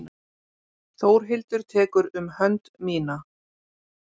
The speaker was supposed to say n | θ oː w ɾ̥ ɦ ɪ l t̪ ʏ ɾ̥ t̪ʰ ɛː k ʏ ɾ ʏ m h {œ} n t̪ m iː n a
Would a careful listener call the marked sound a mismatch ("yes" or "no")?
no